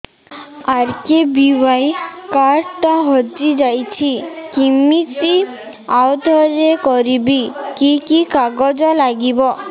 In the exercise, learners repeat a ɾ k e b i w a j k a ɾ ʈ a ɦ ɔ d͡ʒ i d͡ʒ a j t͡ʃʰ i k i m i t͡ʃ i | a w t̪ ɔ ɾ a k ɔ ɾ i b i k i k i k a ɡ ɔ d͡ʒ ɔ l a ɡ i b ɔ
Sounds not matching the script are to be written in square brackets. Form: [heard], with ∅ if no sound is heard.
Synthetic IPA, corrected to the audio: a ɾ k e b i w a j k a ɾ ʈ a ɦ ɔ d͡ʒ i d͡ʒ a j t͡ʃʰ i k i m i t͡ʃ i | a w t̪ ɔ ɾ [e] k ɔ ɾ i b i k i k i k a ɡ ɔ d͡ʒ ɔ l a ɡ i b ɔ

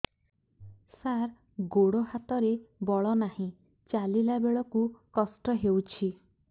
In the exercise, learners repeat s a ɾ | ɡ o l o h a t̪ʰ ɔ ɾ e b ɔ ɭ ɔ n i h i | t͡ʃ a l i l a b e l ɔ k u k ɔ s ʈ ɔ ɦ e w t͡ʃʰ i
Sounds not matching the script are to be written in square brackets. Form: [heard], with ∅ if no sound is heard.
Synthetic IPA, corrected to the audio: s a ɾ | ɡ o [ɽ] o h a [t̪] ɔ ɾ e b ɔ ɭ ɔ n [a] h [ĩ] | t͡ʃ a l i l a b e [ɭ] ɔ k u k ɔ s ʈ ɔ ɦ e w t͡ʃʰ i

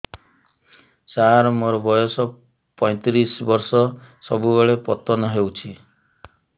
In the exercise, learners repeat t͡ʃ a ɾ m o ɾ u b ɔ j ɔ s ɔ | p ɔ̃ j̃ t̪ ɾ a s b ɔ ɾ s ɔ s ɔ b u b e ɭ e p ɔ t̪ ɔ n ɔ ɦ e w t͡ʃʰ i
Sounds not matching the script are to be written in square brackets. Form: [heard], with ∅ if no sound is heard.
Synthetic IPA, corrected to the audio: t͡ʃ a ɾ m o ɾ [ɔ] b ɔ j ɔ s ɔ | p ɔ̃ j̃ t̪ ɾ [i] s b ɔ ɾ s ɔ s ɔ b u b e ɭ e p ɔ t̪ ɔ n ɔ ɦ e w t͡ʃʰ i

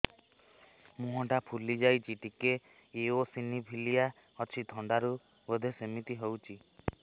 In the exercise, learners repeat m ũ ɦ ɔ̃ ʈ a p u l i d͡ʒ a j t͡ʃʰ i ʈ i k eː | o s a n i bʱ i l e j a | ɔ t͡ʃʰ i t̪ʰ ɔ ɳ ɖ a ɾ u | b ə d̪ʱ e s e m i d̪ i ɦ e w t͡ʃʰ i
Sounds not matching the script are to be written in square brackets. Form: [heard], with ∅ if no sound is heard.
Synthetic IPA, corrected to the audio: m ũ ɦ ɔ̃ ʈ a [pʰ] u l i d͡ʒ a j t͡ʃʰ i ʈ i k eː | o s [i] n i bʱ i l [i] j a | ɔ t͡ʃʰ i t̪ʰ ɔ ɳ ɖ a ɾ u | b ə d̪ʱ e s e m i [t̪] i ɦ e w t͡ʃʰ i

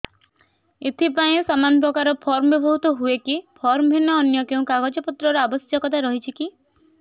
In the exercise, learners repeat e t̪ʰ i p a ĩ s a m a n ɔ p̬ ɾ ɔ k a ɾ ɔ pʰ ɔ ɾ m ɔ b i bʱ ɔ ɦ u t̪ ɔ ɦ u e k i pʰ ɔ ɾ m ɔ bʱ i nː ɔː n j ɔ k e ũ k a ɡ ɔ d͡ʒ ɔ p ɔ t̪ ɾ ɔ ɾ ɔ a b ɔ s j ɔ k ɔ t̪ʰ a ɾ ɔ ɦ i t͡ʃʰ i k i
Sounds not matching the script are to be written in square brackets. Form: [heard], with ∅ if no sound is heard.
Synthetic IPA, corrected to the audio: e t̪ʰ i p a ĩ s a m a n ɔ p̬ ɾ ɔ k a ɾ ɔ pʰ ɔ ɾ m ɔ b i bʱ ɔ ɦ u t̪ ɔ ɦ u e k i pʰ ɔ ɾ m ɔ bʱ i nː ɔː n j ɔ k e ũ k a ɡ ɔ d͡ʒ ɔ p ɔ t̪ ɾ ɔ ɾ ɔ a b ɔ s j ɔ k ɔ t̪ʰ a ɾ ɔ ɦ i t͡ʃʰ i k i

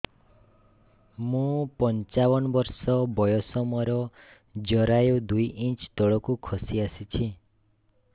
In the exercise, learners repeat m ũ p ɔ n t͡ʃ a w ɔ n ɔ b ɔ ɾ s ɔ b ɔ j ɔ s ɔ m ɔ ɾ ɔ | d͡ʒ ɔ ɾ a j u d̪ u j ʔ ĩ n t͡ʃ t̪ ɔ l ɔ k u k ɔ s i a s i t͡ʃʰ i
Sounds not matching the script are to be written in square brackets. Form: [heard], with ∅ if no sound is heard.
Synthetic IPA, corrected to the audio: m ũ p ɔ n t͡ʃ a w ɔ n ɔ b ɔ ɾ s ɔ b ɔ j ɔ s ɔ m ɔ ɾ ɔ | d͡ʒ ɔ ɾ a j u d̪ u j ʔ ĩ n t͡ʃ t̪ ɔ [ɭ] ɔ k u [kʰ] ɔ s i a s i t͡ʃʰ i

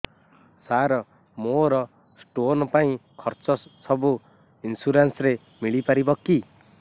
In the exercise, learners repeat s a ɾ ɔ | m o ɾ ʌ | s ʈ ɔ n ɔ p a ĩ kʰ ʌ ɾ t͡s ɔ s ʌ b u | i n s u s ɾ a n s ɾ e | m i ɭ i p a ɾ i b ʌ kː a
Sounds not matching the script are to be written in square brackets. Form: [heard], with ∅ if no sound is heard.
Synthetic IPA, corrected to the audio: s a ɾ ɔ | m o ɾ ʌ | s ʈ [o] n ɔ p a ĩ kʰ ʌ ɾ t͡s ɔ s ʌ b u | i n s u [∅] ɾ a n s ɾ e | m i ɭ i p a ɾ i b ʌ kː [i]

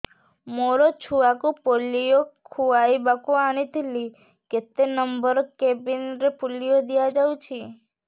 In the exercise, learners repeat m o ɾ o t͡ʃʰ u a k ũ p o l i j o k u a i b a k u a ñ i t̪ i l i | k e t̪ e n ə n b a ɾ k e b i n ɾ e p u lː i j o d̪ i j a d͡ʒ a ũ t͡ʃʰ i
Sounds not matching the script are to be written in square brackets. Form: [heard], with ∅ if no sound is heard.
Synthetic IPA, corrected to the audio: m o ɾ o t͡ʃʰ u a k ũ p o l i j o [kʰ] u a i b a k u a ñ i t̪ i l i | k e t̪ e n ə [m] b [ə] ɾ k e b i n ɾ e p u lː i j o d̪ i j a d͡ʒ a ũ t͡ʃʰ i

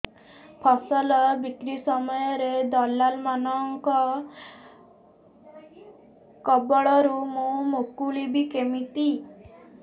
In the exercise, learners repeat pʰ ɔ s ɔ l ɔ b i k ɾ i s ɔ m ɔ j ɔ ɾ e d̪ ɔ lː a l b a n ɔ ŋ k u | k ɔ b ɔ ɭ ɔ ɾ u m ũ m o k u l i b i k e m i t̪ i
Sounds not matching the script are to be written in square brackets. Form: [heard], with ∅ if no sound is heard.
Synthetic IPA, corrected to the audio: pʰ ɔ s ɔ l ɔ b i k ɾ i s ɔ m ɔ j ɔ ɾ e d̪ ɔ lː a l [m] a n ɔ ŋ k [ɔ] | k ɔ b ɔ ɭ ɔ ɾ u m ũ m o k u l i b i k e m i t̪ i

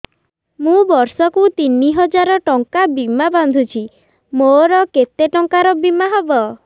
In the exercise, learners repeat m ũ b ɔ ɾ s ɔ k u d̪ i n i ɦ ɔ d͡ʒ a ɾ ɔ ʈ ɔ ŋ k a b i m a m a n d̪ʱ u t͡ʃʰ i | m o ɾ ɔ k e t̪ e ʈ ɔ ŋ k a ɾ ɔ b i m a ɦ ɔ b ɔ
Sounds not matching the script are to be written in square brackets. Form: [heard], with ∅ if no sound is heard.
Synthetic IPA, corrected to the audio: m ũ b ɔ ɾ s ɔ k u [t̪] i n i ɦ ɔ d͡ʒ a ɾ ɔ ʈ ɔ ŋ k a b i m a [b] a n d̪ʱ u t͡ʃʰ i | m o ɾ ɔ k e t̪ e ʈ ɔ ŋ k a ɾ ɔ b i m a ɦ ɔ b ɔ

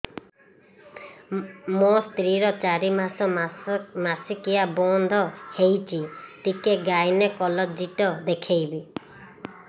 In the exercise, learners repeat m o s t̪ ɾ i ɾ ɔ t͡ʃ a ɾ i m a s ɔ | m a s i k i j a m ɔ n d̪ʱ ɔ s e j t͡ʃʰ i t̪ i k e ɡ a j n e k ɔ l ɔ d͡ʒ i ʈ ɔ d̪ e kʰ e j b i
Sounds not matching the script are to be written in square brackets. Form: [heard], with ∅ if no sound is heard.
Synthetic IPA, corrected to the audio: m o s t̪ ɾ i ɾ ɔ t͡ʃ a ɾ i m a s ɔ | m a s i k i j a [b] ɔ n d̪ʱ ɔ [h] e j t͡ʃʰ i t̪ i k e ɡ a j n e k ɔ l ɔ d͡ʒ i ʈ ɔ d̪ e kʰ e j b i

